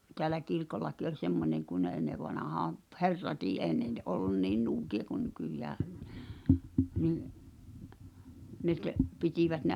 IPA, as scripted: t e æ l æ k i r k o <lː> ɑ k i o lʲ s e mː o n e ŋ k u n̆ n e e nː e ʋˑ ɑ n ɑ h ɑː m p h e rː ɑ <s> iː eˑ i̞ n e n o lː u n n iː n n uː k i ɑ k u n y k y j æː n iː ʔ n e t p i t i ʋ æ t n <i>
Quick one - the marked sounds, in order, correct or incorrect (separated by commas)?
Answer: correct, incorrect, incorrect